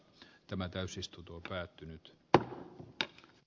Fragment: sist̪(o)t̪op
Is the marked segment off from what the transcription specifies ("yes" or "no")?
yes